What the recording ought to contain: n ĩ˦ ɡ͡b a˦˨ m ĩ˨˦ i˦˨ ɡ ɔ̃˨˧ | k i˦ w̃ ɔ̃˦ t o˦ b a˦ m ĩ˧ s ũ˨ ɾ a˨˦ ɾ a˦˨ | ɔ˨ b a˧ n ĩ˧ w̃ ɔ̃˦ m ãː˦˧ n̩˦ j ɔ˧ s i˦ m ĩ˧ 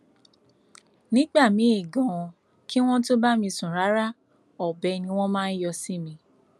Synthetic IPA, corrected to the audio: n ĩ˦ ɡ͡b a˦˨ m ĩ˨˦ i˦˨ ɡ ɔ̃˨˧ | k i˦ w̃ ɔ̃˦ t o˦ b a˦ m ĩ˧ s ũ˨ ɾ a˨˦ ɾ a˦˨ | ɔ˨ b ɛ˧ n ĩ˧ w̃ ɔ̃˦ m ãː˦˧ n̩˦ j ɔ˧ s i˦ m ĩ˧